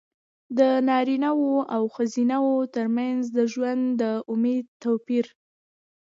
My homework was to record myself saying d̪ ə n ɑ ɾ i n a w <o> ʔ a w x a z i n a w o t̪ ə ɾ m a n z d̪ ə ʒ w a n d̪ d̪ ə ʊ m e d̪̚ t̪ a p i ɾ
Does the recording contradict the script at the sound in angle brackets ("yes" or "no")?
no